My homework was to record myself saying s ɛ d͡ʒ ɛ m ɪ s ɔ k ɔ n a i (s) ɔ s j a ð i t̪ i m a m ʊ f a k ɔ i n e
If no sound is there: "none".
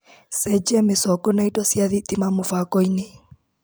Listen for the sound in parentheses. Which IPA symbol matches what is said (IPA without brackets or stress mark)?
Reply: t